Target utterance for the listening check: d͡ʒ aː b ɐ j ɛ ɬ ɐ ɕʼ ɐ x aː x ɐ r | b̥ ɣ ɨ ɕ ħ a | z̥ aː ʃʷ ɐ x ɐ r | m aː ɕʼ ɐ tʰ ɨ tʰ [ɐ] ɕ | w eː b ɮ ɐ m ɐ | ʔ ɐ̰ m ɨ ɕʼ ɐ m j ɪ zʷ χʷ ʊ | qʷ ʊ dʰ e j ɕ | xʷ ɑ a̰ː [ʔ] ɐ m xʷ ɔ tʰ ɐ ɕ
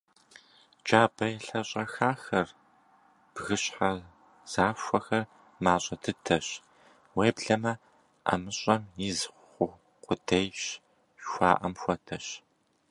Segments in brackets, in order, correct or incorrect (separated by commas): correct, correct